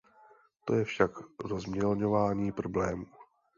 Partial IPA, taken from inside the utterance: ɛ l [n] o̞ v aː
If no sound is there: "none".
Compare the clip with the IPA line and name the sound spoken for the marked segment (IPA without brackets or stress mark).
ɲ